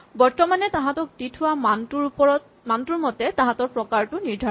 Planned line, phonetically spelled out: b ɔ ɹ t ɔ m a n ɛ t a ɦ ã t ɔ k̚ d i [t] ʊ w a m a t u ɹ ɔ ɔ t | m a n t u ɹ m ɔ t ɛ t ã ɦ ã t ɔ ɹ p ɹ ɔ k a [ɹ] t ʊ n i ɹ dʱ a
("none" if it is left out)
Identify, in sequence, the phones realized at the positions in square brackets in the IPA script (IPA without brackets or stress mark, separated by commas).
tʰ, ɹ